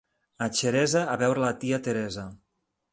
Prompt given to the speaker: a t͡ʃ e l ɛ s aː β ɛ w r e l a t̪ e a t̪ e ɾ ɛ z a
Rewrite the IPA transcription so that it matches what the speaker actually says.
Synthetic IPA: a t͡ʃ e ɾ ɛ z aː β ɛ w ɾ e l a t̪ i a t̪ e ɾ ɛ z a